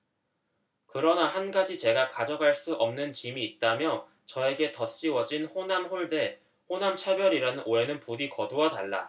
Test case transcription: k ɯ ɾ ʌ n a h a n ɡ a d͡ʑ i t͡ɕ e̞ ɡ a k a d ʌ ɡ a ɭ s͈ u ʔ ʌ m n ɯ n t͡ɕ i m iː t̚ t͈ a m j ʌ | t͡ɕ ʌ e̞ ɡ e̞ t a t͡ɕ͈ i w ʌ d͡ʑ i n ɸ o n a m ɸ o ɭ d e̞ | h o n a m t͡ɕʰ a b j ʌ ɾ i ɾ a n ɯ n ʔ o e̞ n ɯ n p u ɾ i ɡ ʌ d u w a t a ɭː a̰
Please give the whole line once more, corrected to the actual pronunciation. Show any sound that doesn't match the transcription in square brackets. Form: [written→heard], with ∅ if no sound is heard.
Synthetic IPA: k ɯ ɾ ʌ n a h a n ɡ a d͡ʑ i t͡ɕ e̞ ɡ a k a [d→d͡ʑ] ʌ ɡ a ɭ s͈ u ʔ ʌ m n ɯ n t͡ɕ i m iː t̚ t͈ a m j ʌ | t͡ɕ ʌ e̞ ɡ e̞ t [a→ʌ] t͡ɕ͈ i w ʌ d͡ʑ i n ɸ o n a m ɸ o ɭ d e̞ | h o n a m t͡ɕʰ a b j ʌ ɾ i ɾ a n ɯ n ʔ o e̞ n ɯ n p u ɾ i [ɡ→k] ʌ d u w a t a ɭː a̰